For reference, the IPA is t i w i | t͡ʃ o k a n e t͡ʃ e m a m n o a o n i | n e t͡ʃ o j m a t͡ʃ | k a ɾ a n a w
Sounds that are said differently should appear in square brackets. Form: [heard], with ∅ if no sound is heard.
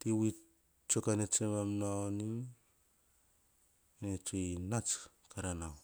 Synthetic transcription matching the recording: t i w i | t͡ʃ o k a n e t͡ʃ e m a m n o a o n i | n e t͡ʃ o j [n] a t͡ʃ | k a ɾ a n a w